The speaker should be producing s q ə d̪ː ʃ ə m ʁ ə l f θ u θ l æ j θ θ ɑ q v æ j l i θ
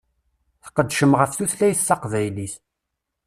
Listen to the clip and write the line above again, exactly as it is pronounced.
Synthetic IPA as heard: θ q ə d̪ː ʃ ə m ʁ ə f θ u θ l æ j θ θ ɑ q v æ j l i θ